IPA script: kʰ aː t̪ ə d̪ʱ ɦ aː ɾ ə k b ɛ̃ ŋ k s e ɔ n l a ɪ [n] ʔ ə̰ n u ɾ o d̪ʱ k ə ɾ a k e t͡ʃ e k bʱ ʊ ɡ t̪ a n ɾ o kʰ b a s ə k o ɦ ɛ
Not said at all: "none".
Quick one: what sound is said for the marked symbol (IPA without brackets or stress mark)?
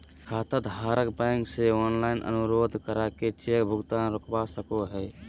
n